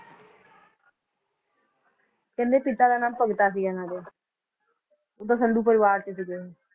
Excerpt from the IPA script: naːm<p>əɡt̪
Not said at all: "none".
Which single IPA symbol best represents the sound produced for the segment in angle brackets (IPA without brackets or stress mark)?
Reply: p